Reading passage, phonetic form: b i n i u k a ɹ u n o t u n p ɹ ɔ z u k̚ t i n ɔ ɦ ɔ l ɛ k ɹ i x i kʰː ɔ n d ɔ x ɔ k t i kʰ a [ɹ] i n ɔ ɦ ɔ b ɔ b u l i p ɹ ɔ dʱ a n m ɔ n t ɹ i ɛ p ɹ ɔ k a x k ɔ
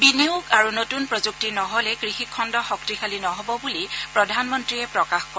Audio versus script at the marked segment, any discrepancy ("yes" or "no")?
yes